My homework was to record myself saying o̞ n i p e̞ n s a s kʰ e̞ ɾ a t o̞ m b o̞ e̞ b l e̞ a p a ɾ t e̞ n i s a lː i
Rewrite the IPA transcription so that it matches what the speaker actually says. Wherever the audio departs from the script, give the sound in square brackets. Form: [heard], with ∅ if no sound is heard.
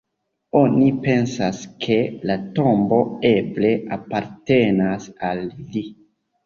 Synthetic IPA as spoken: o̞ n i p e̞ n s a s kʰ e̞ [l] a t o̞ m b o̞ e̞ b l e̞ a p a ɾ t e̞ n [a] s a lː i